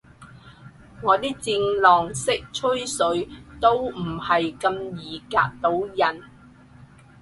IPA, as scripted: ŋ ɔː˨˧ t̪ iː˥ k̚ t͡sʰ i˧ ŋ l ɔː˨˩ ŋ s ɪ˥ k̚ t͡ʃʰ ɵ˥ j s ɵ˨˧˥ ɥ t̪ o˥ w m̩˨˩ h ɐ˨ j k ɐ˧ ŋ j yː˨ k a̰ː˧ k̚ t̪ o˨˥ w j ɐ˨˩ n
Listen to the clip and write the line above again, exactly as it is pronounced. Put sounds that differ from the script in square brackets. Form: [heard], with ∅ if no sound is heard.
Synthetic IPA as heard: ŋ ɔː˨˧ t̪ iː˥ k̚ [t͡s] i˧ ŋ l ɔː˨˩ ŋ s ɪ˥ k̚ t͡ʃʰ ɵ˥ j s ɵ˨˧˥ ɥ t̪ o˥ w m̩˨˩ h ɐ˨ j k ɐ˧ [m] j [iː˨] k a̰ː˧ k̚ t̪ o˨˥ w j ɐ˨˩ n

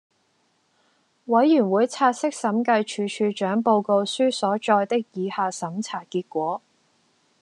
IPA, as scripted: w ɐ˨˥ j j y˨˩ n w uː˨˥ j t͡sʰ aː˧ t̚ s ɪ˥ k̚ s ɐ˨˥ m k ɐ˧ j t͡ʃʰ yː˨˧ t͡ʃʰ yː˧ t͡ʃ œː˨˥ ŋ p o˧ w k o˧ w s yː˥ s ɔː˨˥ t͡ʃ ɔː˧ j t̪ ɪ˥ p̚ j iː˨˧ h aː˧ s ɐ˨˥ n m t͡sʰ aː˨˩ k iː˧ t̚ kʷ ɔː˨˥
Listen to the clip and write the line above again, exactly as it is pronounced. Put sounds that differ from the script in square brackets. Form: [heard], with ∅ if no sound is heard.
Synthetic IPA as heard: w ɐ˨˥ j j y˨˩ n w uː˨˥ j t͡sʰ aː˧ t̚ s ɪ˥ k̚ s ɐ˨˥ m k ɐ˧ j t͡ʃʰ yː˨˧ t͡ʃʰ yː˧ t͡ʃ œː˨˥ ŋ p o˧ w k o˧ w s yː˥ s ɔː˨˥ t͡ʃ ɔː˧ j t̪ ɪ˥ [k̚] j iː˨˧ h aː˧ s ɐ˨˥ [∅] m t͡sʰ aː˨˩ k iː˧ t̚ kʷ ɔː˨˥

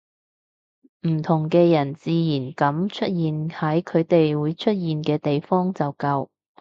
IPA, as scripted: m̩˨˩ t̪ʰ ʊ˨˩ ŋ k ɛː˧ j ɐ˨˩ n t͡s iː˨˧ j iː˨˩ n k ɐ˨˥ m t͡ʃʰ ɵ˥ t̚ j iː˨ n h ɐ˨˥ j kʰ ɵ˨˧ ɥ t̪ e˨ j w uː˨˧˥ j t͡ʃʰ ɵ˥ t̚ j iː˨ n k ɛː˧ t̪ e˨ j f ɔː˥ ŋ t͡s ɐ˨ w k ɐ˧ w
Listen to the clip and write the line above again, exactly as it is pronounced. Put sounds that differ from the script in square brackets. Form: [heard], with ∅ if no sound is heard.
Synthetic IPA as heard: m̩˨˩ t̪ʰ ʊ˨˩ ŋ k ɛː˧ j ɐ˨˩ n t͡s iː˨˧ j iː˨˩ n k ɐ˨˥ m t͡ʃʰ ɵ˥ t̚ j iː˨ n h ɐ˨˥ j kʰ ɵ˨˧ ɥ t̪ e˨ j w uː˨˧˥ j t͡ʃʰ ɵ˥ t̚ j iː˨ n k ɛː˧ t̪ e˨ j f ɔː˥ ŋ t͡s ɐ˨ w k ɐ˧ w

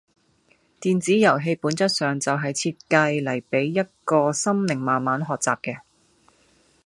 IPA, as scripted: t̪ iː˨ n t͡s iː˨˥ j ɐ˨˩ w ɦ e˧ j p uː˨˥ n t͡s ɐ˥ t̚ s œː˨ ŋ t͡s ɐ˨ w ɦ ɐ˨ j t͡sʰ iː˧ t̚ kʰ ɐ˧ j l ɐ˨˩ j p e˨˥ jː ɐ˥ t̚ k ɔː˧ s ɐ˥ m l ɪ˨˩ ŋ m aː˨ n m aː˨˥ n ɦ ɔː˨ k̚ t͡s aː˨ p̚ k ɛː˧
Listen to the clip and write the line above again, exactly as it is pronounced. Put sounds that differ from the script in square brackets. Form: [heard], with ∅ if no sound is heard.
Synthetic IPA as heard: t̪ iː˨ n t͡s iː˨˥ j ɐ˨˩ w ɦ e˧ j p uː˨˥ n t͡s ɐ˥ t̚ s œː˨ ŋ t͡s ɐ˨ w ɦ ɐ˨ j t͡sʰ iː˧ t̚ [k] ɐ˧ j l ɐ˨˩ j p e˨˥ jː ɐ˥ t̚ k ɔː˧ s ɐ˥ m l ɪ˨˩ ŋ m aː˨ n m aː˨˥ n ɦ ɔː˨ k̚ t͡s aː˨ p̚ k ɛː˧

